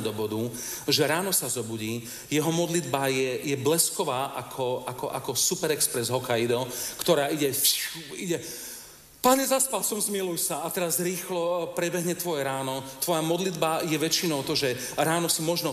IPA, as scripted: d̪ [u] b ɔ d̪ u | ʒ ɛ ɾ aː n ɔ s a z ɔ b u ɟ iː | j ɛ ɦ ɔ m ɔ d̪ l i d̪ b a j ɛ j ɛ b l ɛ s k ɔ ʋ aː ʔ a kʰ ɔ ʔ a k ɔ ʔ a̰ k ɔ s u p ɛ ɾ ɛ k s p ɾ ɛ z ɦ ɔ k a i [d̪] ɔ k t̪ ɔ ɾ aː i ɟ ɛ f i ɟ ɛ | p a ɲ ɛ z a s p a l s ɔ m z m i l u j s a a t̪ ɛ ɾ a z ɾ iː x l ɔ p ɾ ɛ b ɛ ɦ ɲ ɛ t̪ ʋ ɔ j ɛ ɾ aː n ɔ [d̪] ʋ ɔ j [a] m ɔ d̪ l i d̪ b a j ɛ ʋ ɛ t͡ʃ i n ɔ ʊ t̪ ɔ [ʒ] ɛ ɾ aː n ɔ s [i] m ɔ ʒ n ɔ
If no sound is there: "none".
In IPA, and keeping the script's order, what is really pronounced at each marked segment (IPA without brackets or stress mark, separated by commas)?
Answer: ɔ, d̪, t̪, a, ʒ, i